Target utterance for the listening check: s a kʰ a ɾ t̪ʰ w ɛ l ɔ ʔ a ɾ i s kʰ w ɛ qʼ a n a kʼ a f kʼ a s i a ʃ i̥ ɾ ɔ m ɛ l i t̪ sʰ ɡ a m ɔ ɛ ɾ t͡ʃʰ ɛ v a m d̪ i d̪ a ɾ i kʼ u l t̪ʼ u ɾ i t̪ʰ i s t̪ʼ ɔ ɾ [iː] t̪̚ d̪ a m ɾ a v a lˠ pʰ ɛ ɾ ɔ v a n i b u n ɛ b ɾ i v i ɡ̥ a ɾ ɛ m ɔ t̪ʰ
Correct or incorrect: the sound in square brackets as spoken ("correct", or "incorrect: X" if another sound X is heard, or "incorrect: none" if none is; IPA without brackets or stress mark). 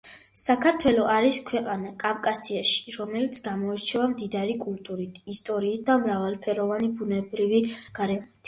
correct